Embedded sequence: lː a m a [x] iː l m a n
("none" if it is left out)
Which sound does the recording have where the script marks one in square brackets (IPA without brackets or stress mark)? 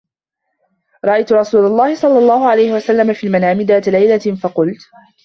f